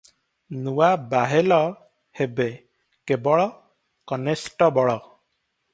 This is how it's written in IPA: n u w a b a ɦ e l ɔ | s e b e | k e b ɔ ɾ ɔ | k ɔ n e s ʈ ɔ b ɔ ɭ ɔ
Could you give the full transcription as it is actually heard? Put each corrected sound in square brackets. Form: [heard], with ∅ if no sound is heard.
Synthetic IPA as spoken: n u w a b a ɦ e l ɔ | [h] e b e | k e b ɔ [ɭ] ɔ | k ɔ n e s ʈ ɔ b ɔ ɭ ɔ